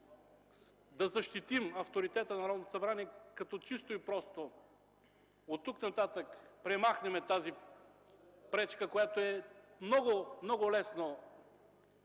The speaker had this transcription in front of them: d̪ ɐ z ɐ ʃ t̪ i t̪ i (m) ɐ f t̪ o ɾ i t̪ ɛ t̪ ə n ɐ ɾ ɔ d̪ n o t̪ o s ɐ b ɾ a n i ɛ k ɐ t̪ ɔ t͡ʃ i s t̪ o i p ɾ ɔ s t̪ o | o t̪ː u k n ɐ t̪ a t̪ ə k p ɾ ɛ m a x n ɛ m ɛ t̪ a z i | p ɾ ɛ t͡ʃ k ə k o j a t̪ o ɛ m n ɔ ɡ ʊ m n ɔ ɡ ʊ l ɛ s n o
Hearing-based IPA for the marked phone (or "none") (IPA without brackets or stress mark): m